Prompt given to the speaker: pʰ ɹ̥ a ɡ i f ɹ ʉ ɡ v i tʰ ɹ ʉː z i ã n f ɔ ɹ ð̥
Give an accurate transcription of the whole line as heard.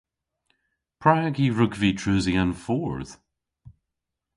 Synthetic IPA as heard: pʰ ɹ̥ a ɡ i ɹ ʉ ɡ v i tʰ ɹ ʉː z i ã n f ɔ ɹ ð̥